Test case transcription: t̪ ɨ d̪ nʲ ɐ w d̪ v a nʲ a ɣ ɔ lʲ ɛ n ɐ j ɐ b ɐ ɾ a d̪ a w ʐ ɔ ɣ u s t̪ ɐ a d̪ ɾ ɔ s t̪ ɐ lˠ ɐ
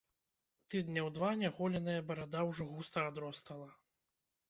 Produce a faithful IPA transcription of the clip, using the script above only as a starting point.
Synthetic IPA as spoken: t̪ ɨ d̪ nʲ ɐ w d̪ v a nʲ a ɣ ɔ lʲ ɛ n ɐ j ɐ b ɐ ɾ a d̪ a w ʐ ɔ ɣ u s t̪ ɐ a d̪ ɾ ɔ s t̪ ɐ lˠ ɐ